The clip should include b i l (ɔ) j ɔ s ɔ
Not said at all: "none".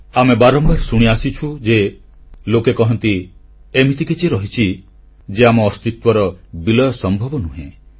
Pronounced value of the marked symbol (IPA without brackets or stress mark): ɔ